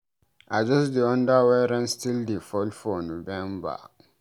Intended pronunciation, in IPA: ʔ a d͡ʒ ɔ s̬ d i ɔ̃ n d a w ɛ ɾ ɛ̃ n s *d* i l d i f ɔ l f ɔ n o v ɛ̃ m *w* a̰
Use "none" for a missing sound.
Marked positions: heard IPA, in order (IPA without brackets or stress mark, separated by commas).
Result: t, b